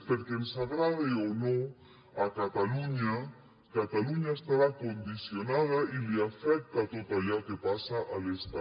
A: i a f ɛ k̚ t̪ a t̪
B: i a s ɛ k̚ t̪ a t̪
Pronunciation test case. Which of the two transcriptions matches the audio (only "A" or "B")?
A